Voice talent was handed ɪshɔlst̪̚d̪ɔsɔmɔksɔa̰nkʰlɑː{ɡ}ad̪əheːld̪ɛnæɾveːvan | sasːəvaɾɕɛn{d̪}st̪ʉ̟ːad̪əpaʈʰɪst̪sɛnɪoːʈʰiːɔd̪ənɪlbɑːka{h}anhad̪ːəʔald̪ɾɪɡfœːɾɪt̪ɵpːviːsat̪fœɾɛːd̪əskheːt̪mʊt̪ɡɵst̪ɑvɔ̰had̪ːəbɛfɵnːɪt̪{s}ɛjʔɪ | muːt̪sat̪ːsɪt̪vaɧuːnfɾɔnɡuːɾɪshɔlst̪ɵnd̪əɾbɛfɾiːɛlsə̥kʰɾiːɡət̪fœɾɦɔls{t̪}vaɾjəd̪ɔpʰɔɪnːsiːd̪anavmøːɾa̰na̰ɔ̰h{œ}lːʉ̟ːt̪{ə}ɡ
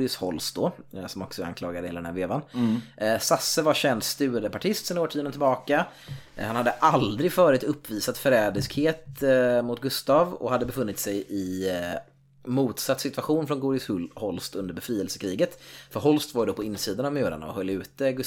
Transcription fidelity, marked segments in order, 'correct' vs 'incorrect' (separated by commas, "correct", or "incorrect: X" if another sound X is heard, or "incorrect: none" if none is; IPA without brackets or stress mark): correct, correct, correct, correct, correct, correct, correct